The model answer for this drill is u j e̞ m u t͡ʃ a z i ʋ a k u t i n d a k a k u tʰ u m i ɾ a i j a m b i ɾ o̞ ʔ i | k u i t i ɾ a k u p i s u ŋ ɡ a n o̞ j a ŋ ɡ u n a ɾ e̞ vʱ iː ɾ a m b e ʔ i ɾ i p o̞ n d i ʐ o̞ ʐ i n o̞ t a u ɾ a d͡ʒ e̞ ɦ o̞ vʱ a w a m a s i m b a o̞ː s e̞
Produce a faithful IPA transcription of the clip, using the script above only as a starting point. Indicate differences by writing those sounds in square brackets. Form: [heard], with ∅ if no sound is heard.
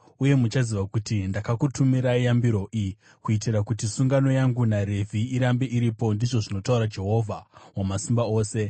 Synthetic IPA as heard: u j e̞ m u t͡ʃ a z i ʋ a k u t i n d a k a k u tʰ u m i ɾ a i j a m b i ɾ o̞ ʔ i | k u i t i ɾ a k u [t] i s u ŋ ɡ a n o̞ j a ŋ ɡ u n a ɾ e̞ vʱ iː ɾ a m b e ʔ i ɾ i p o̞ n d i ʐ o̞ ʐ i n o̞ t a u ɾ a d͡ʒ e̞ ɦ o̞ vʱ a w a m a s i m b a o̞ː s e̞